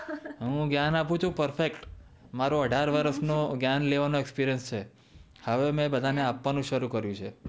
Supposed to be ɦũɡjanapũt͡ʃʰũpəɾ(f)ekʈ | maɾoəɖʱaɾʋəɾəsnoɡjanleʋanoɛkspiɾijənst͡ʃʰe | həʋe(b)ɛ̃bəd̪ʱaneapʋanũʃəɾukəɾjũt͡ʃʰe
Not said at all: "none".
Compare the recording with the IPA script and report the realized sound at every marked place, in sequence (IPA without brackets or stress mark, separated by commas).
f, m